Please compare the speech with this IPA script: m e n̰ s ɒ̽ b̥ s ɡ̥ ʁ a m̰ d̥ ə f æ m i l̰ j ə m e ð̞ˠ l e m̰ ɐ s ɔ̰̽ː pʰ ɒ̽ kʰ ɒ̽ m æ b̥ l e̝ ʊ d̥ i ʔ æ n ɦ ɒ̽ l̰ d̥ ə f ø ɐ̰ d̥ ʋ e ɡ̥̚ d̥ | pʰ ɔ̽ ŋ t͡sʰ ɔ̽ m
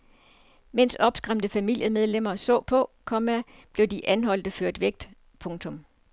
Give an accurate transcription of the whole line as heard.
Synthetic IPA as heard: m e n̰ s ɒ̽ b̥ s ɡ̥ ʁ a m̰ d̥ ə f æ m i l̰ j ə m e ð̞ˠ l e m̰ ɐ s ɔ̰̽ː pʰ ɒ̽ kʰ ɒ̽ m æ b̥ l e̝ ʊ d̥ i ʔ æ n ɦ ɒ̽ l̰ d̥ ə f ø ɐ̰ d̥ ʋ e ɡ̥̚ d̥ | pʰ ɔ̽ ŋ t͡sʰ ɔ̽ m